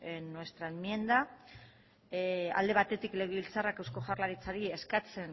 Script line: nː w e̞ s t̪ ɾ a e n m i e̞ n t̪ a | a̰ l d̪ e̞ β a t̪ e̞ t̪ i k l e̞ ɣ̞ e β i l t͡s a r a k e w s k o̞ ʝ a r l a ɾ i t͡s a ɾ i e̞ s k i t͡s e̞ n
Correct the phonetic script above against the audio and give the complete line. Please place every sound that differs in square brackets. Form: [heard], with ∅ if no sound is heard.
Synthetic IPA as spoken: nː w e̞ s t̪ ɾ a e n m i e̞ n [d̪] a | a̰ l d̪ e̞ β a t̪ e̞ t̪ i k l e̞ ɣ̞ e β i l t͡s a r a k e w s k o̞ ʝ a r l a ɾ i t͡s a ɾ i e̞ s k [a] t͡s e̞ n

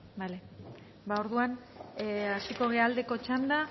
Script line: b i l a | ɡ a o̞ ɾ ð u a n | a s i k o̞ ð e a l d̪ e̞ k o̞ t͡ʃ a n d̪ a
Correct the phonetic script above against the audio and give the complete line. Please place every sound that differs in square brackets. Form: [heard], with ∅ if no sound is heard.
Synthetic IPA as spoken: b [a] l [e] | [b] a o̞ ɾ ð u a n | a s i k o̞ [ɣ] e a l d̪ e̞ k o̞ t͡ʃ a n d̪ a

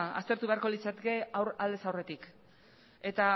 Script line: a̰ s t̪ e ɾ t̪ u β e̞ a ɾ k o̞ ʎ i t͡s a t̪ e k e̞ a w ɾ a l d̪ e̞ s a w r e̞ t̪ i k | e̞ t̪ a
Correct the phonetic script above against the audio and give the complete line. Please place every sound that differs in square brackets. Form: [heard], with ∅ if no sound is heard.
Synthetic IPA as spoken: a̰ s t̪ e ɾ t̪ u β e̞ a ɾ k o̞ [l] i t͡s a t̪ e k e̞ a w ɾ a l d̪ e̞ s a w r e̞ t̪ i k | e̞ t̪ a

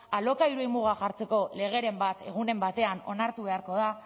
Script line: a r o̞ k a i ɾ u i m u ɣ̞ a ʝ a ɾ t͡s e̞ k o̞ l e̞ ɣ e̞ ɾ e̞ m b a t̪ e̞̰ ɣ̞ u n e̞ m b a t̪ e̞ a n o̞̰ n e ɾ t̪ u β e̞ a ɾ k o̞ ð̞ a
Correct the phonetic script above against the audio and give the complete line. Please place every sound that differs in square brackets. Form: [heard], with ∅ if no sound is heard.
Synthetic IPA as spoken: a [l] o̞ k a i ɾ u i m u ɣ̞ a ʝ a ɾ t͡s e̞ k o̞ l e̞ ɣ e̞ ɾ e̞ m b a t̪ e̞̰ ɣ̞ u n e̞ m b a t̪ e̞ a n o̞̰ n [a] ɾ t̪ u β e̞ a ɾ k o̞ ð̞ a

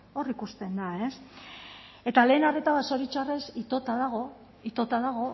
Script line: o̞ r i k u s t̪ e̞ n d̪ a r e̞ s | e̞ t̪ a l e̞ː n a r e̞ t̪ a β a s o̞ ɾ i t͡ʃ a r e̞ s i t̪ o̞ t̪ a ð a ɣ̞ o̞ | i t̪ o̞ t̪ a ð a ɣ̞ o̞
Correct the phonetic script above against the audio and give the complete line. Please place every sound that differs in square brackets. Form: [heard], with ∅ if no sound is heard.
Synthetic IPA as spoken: o̞ r i k u s t̪ e̞ n d̪ a [∅] e̞ s | e̞ t̪ a l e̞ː n a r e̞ t̪ a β a s o̞ ɾ i t͡ʃ a r e̞ s i t̪ o̞ t̪ a ð a ɣ̞ o̞ | i t̪ o̞ t̪ a ð a ɣ̞ o̞

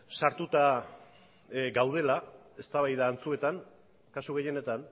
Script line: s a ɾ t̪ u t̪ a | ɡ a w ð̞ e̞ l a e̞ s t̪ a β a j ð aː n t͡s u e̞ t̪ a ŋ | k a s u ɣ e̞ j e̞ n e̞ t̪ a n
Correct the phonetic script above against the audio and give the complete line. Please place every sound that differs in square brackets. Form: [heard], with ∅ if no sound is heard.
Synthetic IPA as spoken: s a ɾ t̪ u t̪ a | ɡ a w ð̞ e̞ l a e̞ s t̪ a β a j ð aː n t͡s u e̞ t̪ a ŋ | k a s u ɣ e̞ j e̞ n e̞ t̪ a n

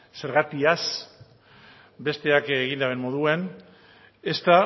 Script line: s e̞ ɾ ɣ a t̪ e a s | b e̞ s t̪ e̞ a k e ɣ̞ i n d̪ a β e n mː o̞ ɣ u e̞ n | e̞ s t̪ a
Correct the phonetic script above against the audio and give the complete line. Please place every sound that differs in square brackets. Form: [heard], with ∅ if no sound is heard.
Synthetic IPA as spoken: s e̞ ɾ ɣ a t̪ [i] a s | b e̞ s t̪ e̞ a k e ɣ̞ i n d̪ a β e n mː o̞ [ð] u e̞ n | e̞ s t̪ a

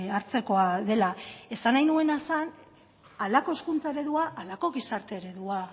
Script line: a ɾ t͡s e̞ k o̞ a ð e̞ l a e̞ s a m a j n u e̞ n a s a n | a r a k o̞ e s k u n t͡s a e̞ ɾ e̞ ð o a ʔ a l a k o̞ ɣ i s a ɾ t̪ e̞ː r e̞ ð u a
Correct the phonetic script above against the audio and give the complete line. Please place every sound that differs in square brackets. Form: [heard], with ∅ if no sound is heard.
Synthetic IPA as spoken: a ɾ t͡s e̞ k o̞ a ð e̞ l a e̞ s a [n] a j n u e̞ n a s a n | a [l] a k o̞ e s k u n t͡s a e̞ ɾ e̞ ð [u] a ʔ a l a k o̞ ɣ i s a ɾ t̪ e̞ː [ɾ] e̞ ð u a

